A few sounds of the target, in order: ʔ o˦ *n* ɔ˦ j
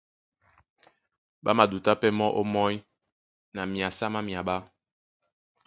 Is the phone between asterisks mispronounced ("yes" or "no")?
yes